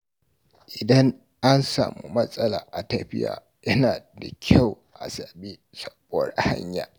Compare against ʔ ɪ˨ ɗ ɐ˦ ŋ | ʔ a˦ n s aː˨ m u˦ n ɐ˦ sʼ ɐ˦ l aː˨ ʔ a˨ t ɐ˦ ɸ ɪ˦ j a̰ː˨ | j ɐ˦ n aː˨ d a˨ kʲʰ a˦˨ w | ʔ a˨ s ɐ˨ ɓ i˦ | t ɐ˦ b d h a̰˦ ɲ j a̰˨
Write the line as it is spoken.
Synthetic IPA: ʔ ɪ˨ d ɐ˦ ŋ | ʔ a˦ n s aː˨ m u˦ m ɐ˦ sʼ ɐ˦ l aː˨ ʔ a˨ t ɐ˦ ɸ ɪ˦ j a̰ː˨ | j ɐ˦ n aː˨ d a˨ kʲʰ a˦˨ w | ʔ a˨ s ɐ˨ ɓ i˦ | s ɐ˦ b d h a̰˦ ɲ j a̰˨

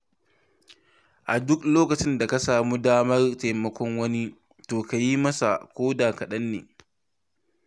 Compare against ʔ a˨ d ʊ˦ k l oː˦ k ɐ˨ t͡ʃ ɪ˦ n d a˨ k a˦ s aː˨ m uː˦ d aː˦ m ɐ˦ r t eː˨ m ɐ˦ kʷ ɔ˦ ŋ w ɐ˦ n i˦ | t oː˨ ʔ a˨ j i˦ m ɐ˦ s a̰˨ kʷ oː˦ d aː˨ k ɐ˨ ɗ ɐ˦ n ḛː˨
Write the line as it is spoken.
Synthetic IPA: ʔ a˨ d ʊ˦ k l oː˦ k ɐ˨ t͡ʃ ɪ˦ n d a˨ k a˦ s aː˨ m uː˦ d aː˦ m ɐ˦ r t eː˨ m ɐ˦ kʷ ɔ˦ ŋ w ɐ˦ n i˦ | t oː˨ k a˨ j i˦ m ɐ˦ s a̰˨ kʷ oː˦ d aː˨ k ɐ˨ ɗ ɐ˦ nː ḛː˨

